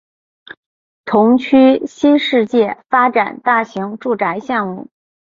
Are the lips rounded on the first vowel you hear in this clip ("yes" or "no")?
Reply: yes